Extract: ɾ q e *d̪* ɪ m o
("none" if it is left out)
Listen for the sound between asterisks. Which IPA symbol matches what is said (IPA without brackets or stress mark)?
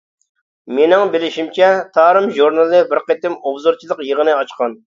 t̪